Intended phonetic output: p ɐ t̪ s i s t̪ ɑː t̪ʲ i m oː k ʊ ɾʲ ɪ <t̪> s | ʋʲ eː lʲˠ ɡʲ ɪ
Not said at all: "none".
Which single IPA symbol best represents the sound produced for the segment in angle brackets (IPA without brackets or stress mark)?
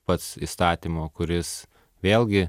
none